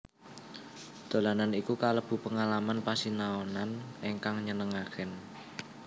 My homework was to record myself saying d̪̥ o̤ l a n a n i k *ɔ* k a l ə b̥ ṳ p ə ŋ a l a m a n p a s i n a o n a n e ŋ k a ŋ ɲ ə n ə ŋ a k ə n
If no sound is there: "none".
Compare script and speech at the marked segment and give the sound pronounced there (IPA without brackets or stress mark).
u